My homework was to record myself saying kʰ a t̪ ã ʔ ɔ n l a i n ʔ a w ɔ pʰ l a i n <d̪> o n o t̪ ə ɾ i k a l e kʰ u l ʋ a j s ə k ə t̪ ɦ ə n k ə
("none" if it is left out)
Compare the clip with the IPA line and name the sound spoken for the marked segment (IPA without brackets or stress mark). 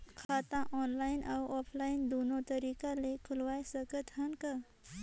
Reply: d̪